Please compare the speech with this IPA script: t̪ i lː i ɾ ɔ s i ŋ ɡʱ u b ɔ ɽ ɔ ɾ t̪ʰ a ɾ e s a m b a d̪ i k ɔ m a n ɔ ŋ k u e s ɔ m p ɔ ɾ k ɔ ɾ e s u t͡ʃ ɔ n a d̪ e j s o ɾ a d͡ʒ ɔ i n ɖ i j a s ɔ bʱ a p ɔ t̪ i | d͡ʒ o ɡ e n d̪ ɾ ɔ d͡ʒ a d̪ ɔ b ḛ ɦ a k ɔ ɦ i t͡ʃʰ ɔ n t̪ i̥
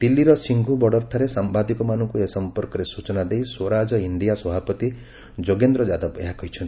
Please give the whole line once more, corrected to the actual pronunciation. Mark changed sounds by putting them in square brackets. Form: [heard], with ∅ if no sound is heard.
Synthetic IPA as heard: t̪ i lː i ɾ ɔ s i ŋ ɡʱ u b ɔ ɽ ɔ ɾ t̪ʰ a ɾ e s a m b a d̪ i k ɔ m a n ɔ ŋ k u e s ɔ m p ɔ ɾ k ɔ ɾ e s u t͡ʃ ɔ n a d̪ e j s o ɾ a d͡ʒ ɔ i [ɳ] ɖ i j a s ɔ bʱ a p ɔ t̪ i | d͡ʒ o ɡ e n d̪ ɾ ɔ d͡ʒ a d̪ ɔ b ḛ ɦ a k ɔ ɦ i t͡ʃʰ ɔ n t̪ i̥

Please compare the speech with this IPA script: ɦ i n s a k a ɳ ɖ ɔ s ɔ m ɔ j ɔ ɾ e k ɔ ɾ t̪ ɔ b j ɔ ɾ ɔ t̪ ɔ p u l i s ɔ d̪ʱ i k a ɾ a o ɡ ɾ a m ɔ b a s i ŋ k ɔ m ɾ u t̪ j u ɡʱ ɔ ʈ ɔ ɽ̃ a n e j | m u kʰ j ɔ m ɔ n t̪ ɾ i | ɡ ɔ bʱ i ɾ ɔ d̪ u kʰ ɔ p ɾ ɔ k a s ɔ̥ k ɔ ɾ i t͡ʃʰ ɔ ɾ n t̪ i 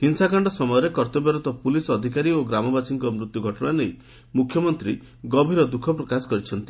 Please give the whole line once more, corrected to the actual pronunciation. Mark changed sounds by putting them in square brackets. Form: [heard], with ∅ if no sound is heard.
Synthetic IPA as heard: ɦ i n s a k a ɳ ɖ ɔ s ɔ m ɔ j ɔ ɾ e k ɔ ɾ t̪ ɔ b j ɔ ɾ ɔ t̪ ɔ p u l i s ɔ d̪ʱ i k a ɾ [i] o ɡ ɾ a m ɔ b a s i ŋ k ɔ m ɾ u t̪ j u ɡʱ ɔ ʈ ɔ ɽ̃ a n e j | m u kʰ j ɔ m ɔ n t̪ ɾ i | ɡ ɔ bʱ i ɾ ɔ d̪ u kʰ ɔ p ɾ ɔ k a s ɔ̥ k ɔ ɾ i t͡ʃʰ ɔ [∅] n t̪ i

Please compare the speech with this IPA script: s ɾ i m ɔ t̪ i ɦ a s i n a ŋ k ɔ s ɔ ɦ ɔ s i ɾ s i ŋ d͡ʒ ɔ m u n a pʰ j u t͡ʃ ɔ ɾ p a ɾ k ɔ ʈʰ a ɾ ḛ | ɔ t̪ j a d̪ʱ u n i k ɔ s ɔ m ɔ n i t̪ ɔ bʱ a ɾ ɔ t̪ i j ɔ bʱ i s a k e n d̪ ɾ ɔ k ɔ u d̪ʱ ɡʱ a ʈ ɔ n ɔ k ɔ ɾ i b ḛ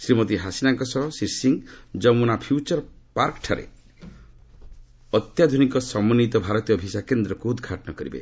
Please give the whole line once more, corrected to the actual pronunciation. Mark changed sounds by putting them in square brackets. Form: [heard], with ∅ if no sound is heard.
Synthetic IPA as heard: s ɾ i m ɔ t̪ i ɦ a s i n a ŋ k ɔ s ɔ ɦ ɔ s i ɾ s i ŋ d͡ʒ ɔ m u n a pʰ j u t͡ʃ ɔ ɾ p a ɾ k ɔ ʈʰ a ɾ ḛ | ɔ t̪ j a d̪ʱ u n i k ɔ s ɔ m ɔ n i t̪ ɔ bʱ a ɾ ɔ t̪ i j ɔ bʱ i s a k e n d̪ ɾ ɔ k [u] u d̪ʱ ɡʱ a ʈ ɔ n ɔ k ɔ ɾ i b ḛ

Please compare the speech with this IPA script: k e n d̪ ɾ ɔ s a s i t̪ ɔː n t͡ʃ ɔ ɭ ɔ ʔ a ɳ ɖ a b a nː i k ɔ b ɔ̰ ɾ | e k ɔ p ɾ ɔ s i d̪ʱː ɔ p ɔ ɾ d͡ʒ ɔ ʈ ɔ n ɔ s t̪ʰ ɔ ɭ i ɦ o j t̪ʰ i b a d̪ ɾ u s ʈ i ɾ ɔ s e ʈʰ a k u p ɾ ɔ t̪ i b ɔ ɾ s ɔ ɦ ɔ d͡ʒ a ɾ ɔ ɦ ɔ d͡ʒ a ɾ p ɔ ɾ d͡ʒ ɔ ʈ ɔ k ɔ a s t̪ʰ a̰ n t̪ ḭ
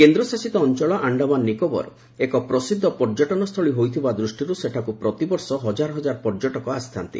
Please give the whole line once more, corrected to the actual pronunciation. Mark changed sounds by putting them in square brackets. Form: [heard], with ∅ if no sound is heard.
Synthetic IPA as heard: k e n d̪ ɾ ɔ s a s i t̪ ɔː n t͡ʃ ɔ ɭ ɔ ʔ a ɳ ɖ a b a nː i k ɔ b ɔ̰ ɾ | e k ɔ p ɾ ɔ s i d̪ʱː ɔ p ɔ ɾ d͡ʒ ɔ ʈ ɔ n ɔ s t̪ʰ ɔ ɭ i ɦ o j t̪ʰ i b a d̪ ɾ u s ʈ i ɾ [u] s e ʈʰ a k u p ɾ ɔ t̪ i b ɔ ɾ s ɔ ɦ ɔ d͡ʒ a ɾ ɔ ɦ ɔ d͡ʒ a ɾ p ɔ ɾ d͡ʒ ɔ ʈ ɔ k ɔ a s t̪ʰ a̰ n t̪ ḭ

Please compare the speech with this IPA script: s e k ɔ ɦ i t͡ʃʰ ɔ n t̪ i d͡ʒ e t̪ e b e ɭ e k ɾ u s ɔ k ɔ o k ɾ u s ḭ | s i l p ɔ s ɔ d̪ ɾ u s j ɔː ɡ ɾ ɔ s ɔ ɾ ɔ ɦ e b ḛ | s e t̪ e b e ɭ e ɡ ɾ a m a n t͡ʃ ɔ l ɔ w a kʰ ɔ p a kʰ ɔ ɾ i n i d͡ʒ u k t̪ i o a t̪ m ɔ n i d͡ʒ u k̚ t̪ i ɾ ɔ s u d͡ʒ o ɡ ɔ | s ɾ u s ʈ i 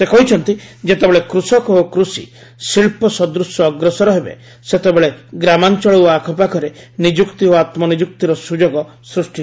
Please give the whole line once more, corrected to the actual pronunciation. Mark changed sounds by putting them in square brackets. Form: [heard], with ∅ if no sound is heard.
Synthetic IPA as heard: s e k ɔ ɦ i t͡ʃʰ ɔ n t̪ i d͡ʒ e t̪ e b e ɭ e k ɾ u s ɔ k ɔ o k ɾ u s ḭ | s i [ɭ] p ɔ s ɔ d̪ ɾ u s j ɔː ɡ ɾ ɔ s ɔ ɾ ɔ ɦ e b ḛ | s e t̪ e b e ɭ e ɡ ɾ a m a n t͡ʃ ɔ [ɭ] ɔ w a kʰ ɔ p a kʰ ɔ ɾ [e] n i d͡ʒ u k t̪ i o a t̪ m ɔ n i d͡ʒ u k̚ t̪ i ɾ ɔ s u d͡ʒ o ɡ ɔ | s ɾ u s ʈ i

